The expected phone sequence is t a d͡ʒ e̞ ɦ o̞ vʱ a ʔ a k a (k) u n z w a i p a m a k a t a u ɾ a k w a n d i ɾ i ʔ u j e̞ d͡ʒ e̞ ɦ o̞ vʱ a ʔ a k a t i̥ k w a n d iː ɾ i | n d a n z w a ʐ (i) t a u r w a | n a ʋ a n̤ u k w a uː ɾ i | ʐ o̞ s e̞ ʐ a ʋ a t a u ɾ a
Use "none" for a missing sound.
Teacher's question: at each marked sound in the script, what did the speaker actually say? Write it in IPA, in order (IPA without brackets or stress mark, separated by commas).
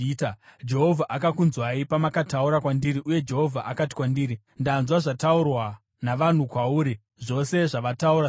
k, a